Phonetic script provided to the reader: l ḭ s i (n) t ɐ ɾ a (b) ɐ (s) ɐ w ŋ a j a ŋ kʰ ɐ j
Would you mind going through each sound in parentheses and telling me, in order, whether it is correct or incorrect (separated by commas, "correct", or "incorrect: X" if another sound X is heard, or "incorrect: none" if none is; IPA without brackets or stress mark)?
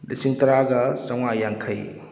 incorrect: ŋ, incorrect: ɡ, correct